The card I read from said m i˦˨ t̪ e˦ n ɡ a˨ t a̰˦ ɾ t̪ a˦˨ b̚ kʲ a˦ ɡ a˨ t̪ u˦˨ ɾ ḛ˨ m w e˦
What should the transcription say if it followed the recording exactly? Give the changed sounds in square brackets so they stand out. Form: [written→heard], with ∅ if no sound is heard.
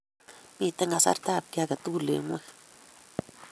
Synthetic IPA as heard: m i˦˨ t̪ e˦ [n→ŋ] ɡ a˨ [t→s] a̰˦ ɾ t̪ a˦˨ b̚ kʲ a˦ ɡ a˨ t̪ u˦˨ [ɾ→l] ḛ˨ [m→ŋ] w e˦